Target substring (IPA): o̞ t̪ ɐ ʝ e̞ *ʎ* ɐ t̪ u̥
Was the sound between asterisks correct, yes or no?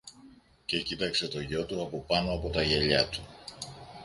yes